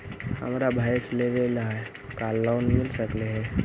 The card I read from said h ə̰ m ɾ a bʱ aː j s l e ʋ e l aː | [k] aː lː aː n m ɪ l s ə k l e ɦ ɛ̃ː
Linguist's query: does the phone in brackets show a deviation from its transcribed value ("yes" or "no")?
no